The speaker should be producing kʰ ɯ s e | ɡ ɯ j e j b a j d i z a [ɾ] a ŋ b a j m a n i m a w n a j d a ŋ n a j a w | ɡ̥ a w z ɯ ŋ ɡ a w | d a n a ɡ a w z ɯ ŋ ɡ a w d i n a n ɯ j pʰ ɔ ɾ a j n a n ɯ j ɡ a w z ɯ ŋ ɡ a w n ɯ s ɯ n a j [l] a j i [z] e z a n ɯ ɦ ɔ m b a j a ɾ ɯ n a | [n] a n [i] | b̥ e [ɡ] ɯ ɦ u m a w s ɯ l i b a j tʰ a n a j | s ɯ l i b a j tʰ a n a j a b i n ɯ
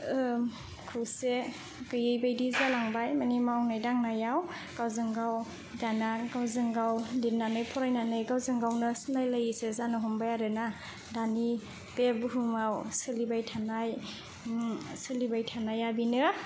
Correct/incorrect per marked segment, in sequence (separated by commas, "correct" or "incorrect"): incorrect, correct, incorrect, incorrect, correct, incorrect